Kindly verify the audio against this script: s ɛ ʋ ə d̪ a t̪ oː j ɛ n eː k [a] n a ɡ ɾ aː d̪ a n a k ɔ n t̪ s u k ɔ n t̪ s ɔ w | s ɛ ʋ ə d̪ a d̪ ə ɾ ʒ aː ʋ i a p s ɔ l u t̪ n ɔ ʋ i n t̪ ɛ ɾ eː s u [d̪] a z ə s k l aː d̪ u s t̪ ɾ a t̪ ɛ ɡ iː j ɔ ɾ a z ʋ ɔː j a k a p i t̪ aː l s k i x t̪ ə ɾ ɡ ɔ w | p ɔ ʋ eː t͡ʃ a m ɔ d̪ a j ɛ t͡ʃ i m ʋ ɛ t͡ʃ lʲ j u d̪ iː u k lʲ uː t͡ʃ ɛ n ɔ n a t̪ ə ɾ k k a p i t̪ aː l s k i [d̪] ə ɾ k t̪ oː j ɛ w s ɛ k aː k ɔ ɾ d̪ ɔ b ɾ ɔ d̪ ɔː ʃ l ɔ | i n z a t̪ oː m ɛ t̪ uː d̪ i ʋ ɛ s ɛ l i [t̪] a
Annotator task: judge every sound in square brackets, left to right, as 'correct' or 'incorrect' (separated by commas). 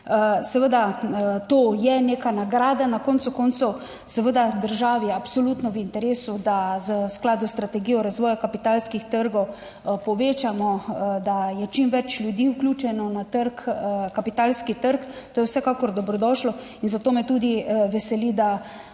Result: correct, correct, incorrect, incorrect